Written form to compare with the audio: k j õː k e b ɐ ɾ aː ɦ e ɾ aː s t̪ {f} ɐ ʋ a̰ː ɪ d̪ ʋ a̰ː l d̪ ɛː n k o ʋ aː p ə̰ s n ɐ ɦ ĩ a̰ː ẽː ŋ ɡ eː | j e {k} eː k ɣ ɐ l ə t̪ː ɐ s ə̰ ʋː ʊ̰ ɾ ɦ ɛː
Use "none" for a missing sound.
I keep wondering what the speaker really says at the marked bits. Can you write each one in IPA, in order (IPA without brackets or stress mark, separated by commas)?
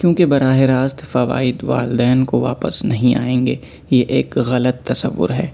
f, ʔ